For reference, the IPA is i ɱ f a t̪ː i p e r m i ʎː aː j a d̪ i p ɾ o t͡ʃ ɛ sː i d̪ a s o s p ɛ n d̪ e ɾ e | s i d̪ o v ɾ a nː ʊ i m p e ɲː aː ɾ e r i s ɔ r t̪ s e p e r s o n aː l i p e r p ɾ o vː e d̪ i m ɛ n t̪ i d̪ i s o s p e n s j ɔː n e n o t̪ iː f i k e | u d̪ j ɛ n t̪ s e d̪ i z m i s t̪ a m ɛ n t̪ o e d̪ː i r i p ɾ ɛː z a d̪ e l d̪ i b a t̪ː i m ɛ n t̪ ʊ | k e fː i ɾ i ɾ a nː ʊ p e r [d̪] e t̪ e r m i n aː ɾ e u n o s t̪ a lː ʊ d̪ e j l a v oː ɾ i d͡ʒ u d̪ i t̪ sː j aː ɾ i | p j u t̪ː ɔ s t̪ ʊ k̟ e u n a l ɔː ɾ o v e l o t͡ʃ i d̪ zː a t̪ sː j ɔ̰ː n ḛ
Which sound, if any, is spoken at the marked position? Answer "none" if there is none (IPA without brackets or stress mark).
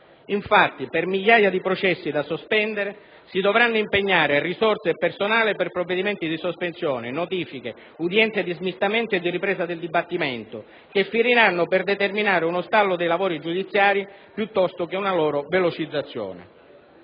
d̪